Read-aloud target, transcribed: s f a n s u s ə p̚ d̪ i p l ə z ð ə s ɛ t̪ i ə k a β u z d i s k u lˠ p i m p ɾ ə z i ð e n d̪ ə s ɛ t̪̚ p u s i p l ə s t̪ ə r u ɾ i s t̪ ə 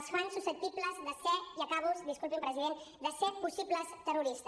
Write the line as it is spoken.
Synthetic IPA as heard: s f a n s u s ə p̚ t̪ i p l ə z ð ə s ɛ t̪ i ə k a β u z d i s k u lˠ p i m p ɾ ə z i ð e n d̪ ə s ɛ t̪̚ p u s i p l ə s t̪ ə r u ɾ i s t̪ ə

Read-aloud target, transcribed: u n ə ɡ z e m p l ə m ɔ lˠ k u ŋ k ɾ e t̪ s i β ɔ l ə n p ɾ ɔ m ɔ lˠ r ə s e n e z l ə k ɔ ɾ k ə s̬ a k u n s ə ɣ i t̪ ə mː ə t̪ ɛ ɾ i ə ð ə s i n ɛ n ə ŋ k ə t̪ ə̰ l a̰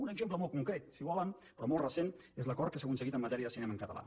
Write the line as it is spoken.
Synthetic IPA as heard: u n ə ɡ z e m p l ə m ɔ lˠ k u ŋ k ɾ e t̪ s i β ɔ l ə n p ɾ ɔ m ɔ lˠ r ə s e n e z l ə k ɔ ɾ k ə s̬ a k u n s ə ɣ i t̪ ə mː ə t̪ ɛ ɾ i ə ð ə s i n ɛ m ə ŋ k ə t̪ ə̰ l a̰

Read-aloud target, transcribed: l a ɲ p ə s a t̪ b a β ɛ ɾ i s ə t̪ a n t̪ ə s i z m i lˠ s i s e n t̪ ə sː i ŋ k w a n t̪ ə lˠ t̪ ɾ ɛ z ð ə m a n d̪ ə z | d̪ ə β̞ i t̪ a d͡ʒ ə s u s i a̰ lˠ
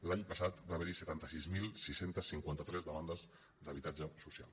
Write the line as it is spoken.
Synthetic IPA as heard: l a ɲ p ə s a t̪ b a β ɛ ɾ i s ə t̪ a n t̪ ə s i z m i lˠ s i s e n t̪ ə sː i ŋ k w a n t̪ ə t̪ ɾ ɛ z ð ə m a n d̪ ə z | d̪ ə β̞ i t̪ a d͡ʒ ə s u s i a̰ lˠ

